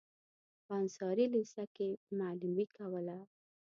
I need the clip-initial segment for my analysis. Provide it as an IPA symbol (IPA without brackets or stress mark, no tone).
p